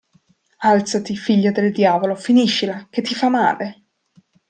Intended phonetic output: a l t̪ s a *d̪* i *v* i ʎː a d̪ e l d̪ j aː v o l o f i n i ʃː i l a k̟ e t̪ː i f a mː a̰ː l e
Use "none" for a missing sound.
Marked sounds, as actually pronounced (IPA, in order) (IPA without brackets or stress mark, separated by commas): t̪, f